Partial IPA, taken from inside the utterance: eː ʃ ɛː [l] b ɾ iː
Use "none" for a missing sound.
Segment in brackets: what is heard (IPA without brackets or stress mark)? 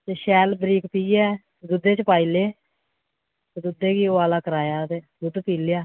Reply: l